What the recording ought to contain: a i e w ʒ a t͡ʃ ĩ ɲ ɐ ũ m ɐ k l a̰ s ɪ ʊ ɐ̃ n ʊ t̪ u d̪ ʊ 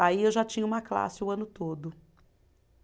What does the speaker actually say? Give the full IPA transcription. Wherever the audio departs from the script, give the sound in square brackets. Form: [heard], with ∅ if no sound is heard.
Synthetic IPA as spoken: a i e w ʒ a t͡ʃ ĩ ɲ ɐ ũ m ɐ k l a̰ s ɪ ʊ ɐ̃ n ʊ t̪ [o] d̪ ʊ